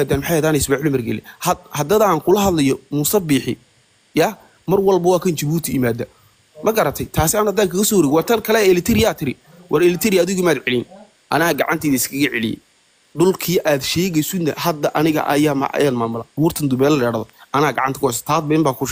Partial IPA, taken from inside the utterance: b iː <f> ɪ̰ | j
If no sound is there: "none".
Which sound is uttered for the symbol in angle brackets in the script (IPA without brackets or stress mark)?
ħ